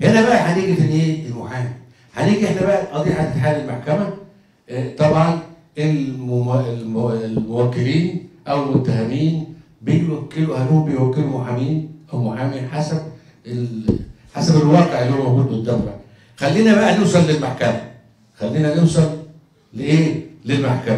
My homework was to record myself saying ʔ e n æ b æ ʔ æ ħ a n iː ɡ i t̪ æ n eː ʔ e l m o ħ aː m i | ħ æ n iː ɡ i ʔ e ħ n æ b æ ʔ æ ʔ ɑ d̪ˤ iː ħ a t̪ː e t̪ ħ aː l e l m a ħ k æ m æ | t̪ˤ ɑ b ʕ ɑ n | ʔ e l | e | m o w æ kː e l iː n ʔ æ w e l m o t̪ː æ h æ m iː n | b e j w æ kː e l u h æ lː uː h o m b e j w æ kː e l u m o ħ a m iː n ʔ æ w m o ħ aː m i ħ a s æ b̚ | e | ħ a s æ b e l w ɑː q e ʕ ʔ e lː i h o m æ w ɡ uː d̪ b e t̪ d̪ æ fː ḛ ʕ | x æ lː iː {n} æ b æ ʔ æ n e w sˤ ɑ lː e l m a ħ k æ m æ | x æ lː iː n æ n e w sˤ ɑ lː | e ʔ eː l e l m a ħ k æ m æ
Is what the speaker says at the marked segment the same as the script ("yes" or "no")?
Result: yes